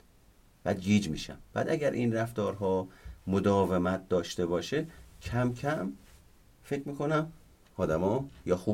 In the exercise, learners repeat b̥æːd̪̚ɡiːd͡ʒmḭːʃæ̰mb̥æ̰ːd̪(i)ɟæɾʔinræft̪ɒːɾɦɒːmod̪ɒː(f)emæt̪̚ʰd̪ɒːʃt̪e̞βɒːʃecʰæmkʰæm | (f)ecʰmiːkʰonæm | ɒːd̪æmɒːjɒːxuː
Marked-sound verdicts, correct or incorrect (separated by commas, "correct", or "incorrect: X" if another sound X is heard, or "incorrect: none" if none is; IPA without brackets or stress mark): incorrect: æ, incorrect: v, correct